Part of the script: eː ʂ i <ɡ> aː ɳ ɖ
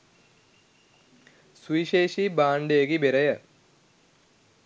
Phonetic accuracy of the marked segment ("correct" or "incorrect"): incorrect